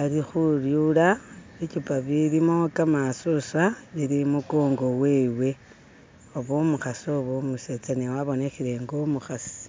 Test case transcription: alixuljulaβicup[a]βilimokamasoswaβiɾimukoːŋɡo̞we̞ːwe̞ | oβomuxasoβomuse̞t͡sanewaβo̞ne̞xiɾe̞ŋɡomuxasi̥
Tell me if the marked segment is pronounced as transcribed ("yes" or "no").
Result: yes